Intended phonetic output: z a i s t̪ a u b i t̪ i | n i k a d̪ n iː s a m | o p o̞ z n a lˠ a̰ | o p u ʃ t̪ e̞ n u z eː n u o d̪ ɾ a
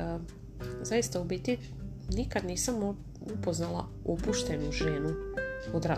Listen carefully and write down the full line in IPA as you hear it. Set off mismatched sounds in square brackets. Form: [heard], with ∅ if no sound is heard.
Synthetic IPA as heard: z a i s t̪ a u b i t̪ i | n i k a d̪ n iː s a m | [u] p o̞ z n a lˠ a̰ | o p u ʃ t̪ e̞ n u [ʒ] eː n u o d̪ ɾ a